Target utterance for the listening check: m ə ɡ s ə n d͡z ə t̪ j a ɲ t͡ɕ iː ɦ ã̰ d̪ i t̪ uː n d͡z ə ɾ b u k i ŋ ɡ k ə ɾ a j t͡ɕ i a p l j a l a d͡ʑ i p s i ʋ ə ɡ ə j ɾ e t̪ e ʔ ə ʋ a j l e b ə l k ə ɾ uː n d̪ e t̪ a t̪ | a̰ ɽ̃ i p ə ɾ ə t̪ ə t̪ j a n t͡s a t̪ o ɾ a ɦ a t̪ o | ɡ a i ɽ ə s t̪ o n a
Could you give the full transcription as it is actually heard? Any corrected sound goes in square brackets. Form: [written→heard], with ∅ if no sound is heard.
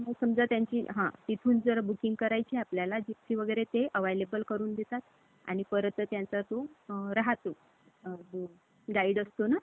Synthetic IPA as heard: m ə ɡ s ə [n→m] d͡z [ə→a] t̪ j a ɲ t͡ɕ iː ɦ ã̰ [d̪→t̪] i [t̪→t̪ʰ] uː n d͡z ə ɾ b u k i ŋ ɡ k ə ɾ a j t͡ɕ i a p l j a l a d͡ʑ i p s i ʋ ə ɡ ə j ɾ e t̪ e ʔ ə ʋ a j l e b ə l k ə ɾ uː n d̪ e t̪ a t̪ | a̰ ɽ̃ i p ə ɾ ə t̪ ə t̪ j a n t͡s a t̪ o ɾ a ɦ a t̪ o | ɡ a i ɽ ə s t̪ o n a